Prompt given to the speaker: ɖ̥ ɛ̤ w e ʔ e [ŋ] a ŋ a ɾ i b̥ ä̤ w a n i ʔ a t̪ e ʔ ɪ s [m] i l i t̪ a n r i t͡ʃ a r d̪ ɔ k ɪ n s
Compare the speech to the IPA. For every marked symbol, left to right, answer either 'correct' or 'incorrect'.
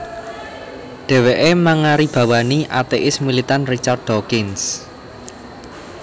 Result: incorrect, correct

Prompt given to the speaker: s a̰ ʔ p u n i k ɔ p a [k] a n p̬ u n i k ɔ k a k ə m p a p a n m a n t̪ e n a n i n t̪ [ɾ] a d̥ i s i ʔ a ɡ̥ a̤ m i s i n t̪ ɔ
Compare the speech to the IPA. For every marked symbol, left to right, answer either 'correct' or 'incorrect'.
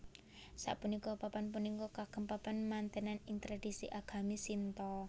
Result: incorrect, correct

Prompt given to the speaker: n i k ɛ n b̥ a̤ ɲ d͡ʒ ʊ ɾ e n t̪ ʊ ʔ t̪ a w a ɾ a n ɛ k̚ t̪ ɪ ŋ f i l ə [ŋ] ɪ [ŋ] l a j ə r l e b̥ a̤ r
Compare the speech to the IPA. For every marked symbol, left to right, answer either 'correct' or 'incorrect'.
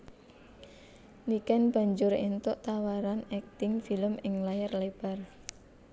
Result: incorrect, correct

